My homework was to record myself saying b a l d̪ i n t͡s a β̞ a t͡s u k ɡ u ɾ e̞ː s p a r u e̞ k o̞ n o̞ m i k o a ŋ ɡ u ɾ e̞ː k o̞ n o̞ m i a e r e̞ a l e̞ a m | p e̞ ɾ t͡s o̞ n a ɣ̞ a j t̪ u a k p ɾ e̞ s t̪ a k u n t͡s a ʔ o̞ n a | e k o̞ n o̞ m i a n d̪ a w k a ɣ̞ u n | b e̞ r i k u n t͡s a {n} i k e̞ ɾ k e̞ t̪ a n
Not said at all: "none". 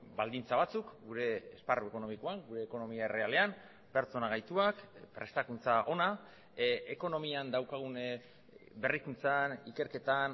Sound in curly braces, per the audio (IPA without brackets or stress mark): n